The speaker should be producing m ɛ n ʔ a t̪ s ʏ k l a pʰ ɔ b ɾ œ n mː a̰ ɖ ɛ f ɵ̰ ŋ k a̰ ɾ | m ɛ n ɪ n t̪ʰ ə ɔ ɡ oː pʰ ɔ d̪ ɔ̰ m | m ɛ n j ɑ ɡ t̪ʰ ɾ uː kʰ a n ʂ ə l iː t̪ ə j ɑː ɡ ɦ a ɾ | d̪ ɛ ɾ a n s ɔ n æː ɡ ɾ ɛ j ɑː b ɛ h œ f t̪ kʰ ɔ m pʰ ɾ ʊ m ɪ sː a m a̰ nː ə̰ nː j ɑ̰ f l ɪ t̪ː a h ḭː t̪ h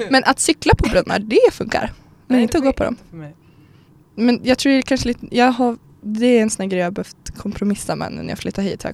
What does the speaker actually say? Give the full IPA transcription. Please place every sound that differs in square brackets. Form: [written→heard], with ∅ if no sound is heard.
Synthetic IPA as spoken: m ɛ n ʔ a t̪ s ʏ k l a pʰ ɔ b ɾ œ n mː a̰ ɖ ɛ f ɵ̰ ŋ k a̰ ɾ | m ɛ n ɪ n [t̪ʰ→t̪] ə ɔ ɡ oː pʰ ɔ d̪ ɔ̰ m | m ɛ n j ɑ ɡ t̪ʰ ɾ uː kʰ a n ʂ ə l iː t̪ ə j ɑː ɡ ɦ a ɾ | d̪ ɛ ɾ [a→ɛ] n s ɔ n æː ɡ ɾ ɛ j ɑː b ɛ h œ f t̪ kʰ ɔ m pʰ ɾ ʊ m ɪ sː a m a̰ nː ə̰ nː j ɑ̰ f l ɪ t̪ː a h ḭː t̪ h